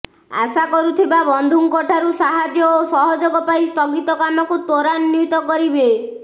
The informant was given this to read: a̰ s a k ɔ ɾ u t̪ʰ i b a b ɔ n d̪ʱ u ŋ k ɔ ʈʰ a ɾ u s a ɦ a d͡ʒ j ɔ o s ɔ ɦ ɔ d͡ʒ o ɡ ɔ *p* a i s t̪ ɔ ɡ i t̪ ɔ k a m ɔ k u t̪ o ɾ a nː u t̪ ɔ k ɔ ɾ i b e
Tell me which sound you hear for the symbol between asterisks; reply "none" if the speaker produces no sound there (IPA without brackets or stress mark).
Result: p